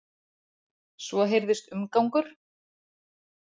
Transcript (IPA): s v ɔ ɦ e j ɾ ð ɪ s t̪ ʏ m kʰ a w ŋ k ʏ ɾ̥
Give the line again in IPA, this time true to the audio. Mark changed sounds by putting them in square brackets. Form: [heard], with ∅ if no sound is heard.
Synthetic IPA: s v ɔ ɦ e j ɾ ð ɪ s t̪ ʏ m [k] a w ŋ k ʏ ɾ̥

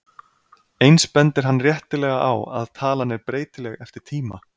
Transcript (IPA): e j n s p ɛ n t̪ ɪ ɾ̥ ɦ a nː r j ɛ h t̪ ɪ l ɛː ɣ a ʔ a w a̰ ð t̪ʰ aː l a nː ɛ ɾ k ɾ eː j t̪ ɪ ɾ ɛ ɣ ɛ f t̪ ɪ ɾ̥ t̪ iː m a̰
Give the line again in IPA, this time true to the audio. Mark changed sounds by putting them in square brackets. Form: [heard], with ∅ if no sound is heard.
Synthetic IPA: e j n s p ɛ n t̪ ɪ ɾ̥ ɦ a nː r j ɛ h t̪ ɪ l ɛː ɣ a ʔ a w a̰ ð t̪ʰ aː l a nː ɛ ɾ [p] ɾ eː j t̪ ɪ [l] ɛ ɣ ɛ f t̪ ɪ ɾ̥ [t̪ʰ] iː m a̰

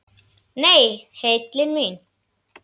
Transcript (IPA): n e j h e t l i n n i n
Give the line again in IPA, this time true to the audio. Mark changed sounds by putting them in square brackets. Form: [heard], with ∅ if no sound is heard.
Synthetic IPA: n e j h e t l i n [m] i n

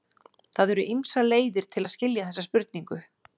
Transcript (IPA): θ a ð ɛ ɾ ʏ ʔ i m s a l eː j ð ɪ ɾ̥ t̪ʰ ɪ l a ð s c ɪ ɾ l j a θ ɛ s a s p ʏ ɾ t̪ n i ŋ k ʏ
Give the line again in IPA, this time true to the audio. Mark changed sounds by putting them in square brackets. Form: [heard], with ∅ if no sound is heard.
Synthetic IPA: θ a ð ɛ ɾ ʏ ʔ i m s a l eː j ð ɪ ɾ̥ t̪ʰ ɪ l a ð s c ɪ [∅] l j a θ ɛ [sː] a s p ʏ ɾ t̪ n i ŋ k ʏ

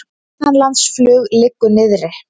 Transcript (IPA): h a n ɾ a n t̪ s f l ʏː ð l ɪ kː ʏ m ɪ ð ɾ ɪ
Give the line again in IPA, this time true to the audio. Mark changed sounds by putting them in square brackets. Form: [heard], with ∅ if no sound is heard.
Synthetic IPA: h a n [l] a n t̪ s f l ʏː [ɣ] l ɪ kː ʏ [n] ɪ ð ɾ ɪ

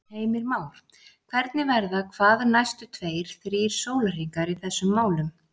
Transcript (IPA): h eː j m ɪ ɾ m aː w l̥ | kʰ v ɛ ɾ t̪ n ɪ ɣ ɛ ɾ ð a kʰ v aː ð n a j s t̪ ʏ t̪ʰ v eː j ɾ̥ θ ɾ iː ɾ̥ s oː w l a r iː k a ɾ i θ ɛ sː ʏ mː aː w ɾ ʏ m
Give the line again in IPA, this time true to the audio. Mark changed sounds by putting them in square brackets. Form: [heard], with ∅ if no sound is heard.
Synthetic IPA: h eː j m ɪ ɾ m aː w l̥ | kʰ v ɛ ɾ t̪ n ɪ [v] ɛ ɾ ð a kʰ v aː ð n a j s t̪ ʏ t̪ʰ v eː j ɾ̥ θ ɾ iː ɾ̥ s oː w l a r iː k a ɾ i θ ɛ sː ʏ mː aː w [l] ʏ m

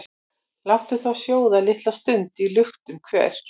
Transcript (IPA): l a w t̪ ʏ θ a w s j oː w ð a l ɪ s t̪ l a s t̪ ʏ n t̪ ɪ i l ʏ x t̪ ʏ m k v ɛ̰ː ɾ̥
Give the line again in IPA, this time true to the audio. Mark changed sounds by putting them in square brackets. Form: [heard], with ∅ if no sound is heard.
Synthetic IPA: l a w t̪ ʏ θ a w s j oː w ð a l ɪ [h] t̪ l a s t̪ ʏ n t̪ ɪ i l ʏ x t̪ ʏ m [kʰ] v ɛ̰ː ɾ̥

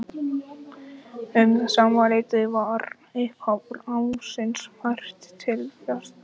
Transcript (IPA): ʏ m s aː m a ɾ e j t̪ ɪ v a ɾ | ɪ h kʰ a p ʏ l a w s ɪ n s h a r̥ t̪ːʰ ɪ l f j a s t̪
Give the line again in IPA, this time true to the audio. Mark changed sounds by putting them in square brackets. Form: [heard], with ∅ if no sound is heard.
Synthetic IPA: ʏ m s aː m a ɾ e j t̪ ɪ v a ɾ | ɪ h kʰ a p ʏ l a w s ɪ n s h a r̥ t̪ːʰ ɪ l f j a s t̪

